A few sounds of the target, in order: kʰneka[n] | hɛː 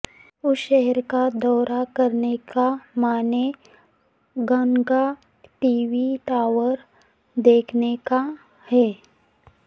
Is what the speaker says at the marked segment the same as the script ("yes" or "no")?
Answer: no